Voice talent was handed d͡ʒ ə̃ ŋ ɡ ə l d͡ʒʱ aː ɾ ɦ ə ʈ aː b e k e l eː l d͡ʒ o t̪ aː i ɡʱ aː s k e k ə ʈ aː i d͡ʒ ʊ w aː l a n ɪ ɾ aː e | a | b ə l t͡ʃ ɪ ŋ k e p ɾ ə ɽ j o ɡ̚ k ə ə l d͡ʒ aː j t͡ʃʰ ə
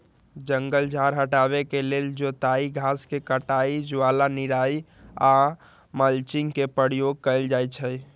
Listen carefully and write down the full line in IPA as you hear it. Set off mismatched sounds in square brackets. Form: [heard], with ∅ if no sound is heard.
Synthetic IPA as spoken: d͡ʒ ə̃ ŋ ɡ ə l d͡ʒʱ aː ɾ ɦ ə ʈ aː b e k e l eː l d͡ʒ o t̪ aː i ɡʱ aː s k e k ə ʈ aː i d͡ʒ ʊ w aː l a n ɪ ɾ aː [i] | a | [m] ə l t͡ʃ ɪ ŋ k e p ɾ ə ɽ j o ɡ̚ k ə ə l d͡ʒ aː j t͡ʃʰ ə